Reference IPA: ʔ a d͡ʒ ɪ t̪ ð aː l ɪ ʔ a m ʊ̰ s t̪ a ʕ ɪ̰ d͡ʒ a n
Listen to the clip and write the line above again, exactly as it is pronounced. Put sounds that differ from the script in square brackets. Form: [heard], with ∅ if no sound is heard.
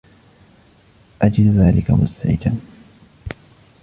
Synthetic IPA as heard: ʔ a d͡ʒ ɪ [d̪] ð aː l ɪ [k] a m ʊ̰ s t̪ a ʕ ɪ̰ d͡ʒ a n